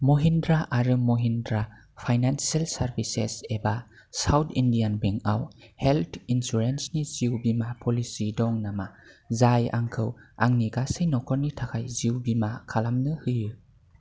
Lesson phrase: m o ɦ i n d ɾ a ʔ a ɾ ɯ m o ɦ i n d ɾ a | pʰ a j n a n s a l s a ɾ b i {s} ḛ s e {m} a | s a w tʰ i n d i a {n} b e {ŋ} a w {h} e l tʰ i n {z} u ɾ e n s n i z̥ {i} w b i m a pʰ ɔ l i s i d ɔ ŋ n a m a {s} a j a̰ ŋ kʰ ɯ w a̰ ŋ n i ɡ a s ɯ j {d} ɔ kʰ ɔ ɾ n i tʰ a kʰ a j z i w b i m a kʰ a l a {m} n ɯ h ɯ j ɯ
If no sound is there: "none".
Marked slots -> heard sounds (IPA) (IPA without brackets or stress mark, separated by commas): s, b, n, ŋ, h, s, i, z, n, m